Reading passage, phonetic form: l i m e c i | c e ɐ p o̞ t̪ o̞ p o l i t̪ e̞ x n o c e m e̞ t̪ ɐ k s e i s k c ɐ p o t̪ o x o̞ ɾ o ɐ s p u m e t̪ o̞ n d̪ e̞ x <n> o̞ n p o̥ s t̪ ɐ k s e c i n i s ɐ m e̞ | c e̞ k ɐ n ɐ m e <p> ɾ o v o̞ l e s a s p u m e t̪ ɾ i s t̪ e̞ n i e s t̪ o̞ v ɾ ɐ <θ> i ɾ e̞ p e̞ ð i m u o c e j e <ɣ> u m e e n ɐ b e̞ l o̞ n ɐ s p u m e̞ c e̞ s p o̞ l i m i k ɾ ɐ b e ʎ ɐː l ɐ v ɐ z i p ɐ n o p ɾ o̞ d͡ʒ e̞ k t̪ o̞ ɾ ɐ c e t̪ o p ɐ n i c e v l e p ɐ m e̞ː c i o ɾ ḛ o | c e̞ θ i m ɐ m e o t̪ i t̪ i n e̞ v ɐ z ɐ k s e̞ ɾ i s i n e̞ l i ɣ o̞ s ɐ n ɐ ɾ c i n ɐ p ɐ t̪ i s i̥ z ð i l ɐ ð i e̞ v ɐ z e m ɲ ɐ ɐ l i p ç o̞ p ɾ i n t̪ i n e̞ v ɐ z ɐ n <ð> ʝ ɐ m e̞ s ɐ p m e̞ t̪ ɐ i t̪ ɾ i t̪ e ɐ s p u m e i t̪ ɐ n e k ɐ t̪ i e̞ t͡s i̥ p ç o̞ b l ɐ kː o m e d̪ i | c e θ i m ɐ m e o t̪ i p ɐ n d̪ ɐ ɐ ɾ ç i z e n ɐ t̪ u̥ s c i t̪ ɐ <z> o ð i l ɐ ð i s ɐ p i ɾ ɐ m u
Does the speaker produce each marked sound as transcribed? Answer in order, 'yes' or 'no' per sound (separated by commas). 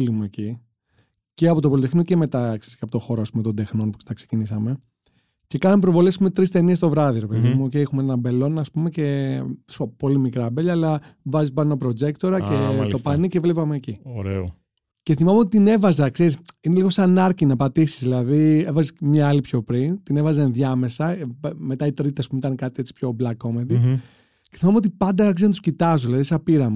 yes, yes, no, no, yes, yes